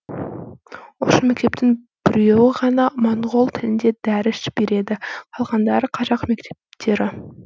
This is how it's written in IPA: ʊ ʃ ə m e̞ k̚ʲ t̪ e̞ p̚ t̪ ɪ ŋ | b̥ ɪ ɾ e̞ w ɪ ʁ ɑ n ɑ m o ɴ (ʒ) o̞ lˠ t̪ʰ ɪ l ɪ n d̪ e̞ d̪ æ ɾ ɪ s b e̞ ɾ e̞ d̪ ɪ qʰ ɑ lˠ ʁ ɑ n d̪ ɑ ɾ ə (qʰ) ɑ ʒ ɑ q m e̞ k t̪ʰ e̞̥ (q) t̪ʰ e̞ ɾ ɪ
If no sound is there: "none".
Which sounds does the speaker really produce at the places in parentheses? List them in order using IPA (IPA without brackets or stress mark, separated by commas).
ʁ, qʰ, p